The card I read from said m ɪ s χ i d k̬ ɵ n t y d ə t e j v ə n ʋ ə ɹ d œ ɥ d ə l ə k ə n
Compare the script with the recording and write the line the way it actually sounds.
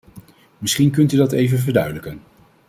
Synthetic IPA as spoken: m ɪ s χ i n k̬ ɵ n t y d ɑ t e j v ə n v ə ɹ d œ ɥ d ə l ə k ə n